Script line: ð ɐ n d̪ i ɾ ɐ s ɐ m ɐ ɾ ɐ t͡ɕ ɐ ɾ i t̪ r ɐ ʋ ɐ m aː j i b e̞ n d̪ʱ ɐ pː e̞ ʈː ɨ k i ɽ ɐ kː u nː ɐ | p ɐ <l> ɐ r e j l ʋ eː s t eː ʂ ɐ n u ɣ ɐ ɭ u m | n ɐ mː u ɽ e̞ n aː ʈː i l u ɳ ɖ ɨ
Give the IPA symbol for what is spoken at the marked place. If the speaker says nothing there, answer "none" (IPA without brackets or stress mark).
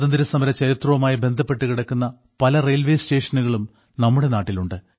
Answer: l